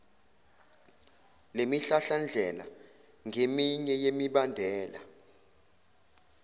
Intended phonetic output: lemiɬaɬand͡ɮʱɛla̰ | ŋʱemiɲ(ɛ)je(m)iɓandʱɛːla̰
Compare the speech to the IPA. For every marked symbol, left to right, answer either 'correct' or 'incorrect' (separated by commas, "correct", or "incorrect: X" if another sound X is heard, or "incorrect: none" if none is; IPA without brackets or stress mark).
correct, correct